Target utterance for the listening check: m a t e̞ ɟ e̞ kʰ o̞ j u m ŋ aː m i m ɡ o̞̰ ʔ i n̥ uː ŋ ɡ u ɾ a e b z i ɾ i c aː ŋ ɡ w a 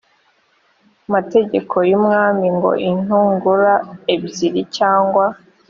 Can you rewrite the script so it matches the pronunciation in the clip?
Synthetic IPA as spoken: m a t e̞ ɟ e̞ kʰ o̞ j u m ŋ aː m i ŋ ɡ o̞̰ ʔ i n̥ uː ŋ ɡ u ɾ a e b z i ɾ i c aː ŋ ɡ w a